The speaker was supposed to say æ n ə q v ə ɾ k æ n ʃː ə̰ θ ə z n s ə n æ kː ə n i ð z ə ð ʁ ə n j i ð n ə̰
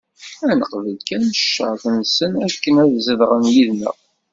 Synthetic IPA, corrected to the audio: æ n ə q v ə l k æ n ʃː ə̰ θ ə n s ə n æ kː ə n æ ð z ə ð ʁ ə n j i ð n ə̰